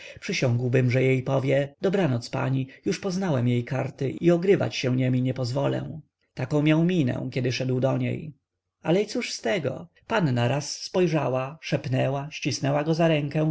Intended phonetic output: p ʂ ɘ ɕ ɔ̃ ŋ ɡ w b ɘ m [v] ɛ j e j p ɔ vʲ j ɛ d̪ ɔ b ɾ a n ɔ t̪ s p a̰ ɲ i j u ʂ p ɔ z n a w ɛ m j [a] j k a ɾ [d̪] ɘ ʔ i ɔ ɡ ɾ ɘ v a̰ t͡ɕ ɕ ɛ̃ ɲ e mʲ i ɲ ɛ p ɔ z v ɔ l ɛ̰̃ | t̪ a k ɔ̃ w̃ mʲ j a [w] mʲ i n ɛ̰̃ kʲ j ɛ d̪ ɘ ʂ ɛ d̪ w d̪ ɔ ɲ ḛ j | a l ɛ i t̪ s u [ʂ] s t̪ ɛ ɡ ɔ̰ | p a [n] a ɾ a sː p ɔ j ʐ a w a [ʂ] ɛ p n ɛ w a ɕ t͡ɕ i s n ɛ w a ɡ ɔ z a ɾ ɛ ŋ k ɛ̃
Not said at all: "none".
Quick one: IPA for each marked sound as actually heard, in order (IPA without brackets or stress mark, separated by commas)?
ʐ, e, t̪, w, ʂ, nː, ʂ